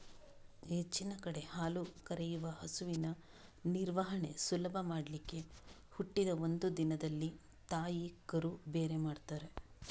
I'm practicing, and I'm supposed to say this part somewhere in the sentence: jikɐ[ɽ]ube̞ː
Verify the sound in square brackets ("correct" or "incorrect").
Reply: incorrect